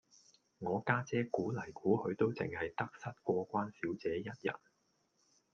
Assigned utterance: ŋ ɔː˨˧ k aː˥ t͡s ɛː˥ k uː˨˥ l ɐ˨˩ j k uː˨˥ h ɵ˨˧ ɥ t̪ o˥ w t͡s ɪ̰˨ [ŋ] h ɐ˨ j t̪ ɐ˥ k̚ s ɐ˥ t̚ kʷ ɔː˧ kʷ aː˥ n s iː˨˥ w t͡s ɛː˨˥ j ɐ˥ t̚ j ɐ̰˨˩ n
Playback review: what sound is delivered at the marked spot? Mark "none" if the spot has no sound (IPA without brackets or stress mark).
ŋ